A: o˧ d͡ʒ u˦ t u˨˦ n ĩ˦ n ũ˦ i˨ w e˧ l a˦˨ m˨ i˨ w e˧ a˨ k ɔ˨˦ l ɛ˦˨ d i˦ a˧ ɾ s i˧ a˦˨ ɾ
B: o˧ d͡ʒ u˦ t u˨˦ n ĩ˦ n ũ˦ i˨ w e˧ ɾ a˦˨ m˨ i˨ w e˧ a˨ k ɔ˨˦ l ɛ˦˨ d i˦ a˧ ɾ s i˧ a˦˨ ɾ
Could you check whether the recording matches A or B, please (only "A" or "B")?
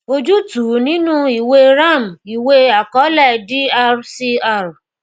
B